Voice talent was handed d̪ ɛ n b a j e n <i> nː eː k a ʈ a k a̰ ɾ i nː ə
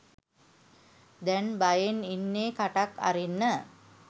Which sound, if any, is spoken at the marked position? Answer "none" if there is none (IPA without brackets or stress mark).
i